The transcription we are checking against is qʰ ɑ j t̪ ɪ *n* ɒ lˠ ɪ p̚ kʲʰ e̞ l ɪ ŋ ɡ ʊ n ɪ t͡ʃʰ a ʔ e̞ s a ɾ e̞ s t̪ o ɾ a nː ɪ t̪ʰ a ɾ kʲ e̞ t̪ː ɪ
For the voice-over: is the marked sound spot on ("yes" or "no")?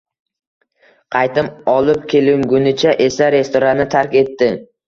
no